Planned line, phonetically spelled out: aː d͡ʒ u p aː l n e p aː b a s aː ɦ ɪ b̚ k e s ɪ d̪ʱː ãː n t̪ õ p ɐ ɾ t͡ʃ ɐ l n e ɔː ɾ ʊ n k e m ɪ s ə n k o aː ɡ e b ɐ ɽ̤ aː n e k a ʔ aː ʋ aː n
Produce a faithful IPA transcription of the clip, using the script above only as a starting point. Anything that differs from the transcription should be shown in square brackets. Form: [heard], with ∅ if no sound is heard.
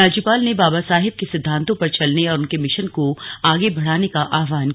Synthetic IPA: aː d͡ʒ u p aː l n e [b] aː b a s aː ɦ ɪ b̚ k e s ɪ d̪ʱː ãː n t̪ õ p ɐ ɾ t͡ʃ ɐ l n e ɔː ɾ ʊ n k e m ɪ [ʃ] ə n k o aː ɡ e b ɐ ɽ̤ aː n e k a ʔ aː ʋ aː n